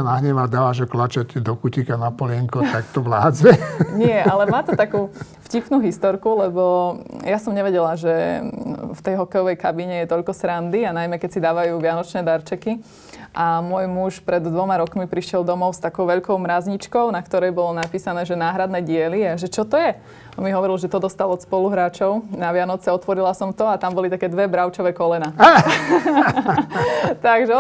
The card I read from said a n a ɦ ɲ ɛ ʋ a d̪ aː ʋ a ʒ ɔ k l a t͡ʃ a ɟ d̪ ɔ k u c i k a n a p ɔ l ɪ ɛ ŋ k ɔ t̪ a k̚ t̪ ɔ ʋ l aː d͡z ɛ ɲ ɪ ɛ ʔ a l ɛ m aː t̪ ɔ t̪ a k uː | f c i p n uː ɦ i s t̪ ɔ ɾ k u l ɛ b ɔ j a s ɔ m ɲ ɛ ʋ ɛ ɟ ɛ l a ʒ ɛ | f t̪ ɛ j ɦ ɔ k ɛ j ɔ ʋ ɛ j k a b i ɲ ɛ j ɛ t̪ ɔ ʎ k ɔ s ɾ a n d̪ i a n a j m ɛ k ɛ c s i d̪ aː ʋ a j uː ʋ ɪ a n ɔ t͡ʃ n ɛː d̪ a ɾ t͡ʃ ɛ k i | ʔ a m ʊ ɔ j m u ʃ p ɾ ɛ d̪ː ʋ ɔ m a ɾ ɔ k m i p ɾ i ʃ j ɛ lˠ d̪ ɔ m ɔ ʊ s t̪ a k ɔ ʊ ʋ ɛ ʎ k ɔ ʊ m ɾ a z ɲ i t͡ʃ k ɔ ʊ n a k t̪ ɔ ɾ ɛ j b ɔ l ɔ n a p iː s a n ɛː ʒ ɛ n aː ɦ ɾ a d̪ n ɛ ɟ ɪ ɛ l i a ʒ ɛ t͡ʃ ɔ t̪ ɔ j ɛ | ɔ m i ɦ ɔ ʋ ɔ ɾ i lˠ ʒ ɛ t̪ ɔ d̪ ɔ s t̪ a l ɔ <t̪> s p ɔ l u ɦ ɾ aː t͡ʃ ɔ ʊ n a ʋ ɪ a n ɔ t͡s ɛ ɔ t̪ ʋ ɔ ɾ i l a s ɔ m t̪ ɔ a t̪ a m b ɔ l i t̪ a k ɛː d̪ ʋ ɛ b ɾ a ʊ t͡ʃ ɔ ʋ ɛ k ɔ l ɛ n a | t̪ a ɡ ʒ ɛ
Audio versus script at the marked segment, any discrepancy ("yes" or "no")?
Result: no